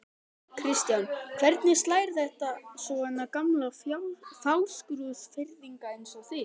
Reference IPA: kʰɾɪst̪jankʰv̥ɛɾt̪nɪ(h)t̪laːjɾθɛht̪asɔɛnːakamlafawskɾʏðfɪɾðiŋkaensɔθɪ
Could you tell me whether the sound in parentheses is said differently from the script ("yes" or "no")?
yes